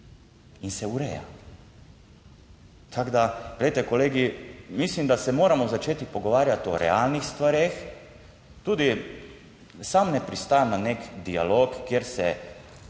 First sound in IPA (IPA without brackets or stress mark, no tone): i